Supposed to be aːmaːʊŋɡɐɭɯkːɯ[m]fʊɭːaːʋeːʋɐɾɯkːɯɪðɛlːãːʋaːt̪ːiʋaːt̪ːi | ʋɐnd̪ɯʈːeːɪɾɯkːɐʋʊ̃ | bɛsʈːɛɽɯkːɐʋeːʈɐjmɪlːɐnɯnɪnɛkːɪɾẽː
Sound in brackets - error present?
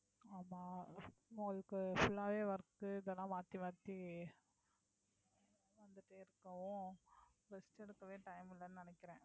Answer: yes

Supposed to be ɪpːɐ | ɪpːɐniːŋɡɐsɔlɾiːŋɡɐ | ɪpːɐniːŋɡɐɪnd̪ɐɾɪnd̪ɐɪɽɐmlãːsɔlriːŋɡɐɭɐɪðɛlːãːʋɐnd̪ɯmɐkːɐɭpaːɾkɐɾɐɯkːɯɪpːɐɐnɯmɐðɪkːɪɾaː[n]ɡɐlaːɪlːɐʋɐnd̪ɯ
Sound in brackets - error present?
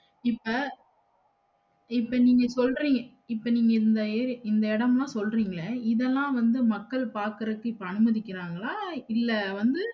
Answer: yes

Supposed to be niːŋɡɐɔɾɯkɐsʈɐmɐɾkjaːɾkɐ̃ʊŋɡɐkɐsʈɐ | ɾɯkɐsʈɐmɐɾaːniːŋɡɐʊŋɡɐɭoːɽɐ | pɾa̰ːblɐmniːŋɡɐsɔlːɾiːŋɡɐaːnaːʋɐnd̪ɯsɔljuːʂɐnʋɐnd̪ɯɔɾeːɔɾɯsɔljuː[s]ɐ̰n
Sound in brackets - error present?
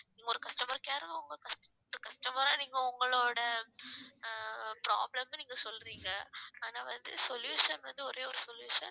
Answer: yes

